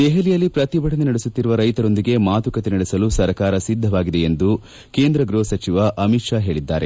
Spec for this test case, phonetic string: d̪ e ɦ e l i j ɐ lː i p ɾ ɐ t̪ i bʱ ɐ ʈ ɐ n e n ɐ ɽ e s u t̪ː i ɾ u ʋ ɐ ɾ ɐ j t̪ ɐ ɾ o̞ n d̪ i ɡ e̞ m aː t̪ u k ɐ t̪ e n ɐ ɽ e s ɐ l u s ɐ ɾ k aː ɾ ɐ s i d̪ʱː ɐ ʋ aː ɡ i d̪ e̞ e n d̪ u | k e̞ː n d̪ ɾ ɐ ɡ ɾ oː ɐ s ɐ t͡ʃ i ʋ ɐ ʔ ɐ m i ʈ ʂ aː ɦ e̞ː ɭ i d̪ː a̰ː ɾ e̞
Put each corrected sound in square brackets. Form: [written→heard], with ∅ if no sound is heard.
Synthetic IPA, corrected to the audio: d̪ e ɦ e l i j ɐ lː i p ɾ ɐ t̪ i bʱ ɐ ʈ ɐ n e n ɐ ɽ e s u t̪ː i ɾ u ʋ ɐ ɾ ɐ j t̪ ɐ ɾ o̞ n d̪ i ɡ e̞ m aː t̪ u k ɐ t̪ e n ɐ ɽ e s ɐ l u s ɐ ɾ k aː ɾ ɐ s i d̪ʱː ɐ ʋ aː ɡ i d̪ e̞ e n d̪ u | k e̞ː n d̪ ɾ ɐ ɡ ɾ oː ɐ s ɐ t͡ʃ i ʋ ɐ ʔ ɐ m i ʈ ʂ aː ɦ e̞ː ɭ i d̪ː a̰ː ɾ e̞